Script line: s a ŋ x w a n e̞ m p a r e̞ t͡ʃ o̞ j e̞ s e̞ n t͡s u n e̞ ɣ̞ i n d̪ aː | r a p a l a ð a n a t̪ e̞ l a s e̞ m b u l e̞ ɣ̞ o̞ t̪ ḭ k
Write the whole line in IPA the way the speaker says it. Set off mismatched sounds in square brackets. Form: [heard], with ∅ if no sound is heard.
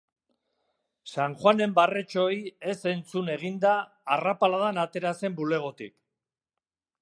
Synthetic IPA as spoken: s a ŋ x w a n e̞ m [b] a r e̞ t͡ʃ o̞ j e̞ s e̞ n t͡s u n e̞ ɣ̞ i n d̪ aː | r a p a l a ð a n a t̪ e̞ [ɾ] a s e̞ m b u l e̞ ɣ̞ o̞ t̪ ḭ k

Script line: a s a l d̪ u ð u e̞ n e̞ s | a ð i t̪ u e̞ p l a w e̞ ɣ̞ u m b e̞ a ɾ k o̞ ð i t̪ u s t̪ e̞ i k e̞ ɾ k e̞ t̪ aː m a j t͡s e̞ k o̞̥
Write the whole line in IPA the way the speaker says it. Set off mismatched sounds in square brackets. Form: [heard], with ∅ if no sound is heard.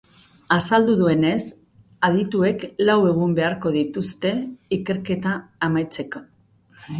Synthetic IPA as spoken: a s a l d̪ u ð u e̞ n e̞ s | a ð i t̪ u e̞ [k] l a w e̞ ɣ̞ u m b e̞ a ɾ k o̞ ð i t̪ u s t̪ e̞ i k e̞ ɾ k e̞ t̪ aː m a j t͡s e̞ k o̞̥

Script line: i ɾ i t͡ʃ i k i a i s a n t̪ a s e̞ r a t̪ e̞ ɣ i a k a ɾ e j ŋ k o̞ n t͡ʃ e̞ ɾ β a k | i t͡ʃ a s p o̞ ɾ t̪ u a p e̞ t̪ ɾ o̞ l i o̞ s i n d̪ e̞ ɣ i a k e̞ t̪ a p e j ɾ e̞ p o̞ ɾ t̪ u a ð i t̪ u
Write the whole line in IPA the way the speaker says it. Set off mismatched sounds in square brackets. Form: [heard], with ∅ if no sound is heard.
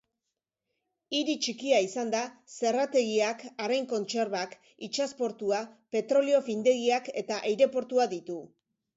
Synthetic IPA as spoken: i ɾ i t͡ʃ i k i a i s a n [d̪] a s e̞ r a t̪ e̞ ɣ i a k a ɾ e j ŋ k o̞ n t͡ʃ e̞ ɾ β a k | i t͡ʃ a s p o̞ ɾ t̪ u a p e̞ t̪ ɾ o̞ l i o̞ [f] i n d̪ e̞ ɣ i a k e̞ t̪ a [ʔ] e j ɾ e̞ p o̞ ɾ t̪ u a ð i t̪ u

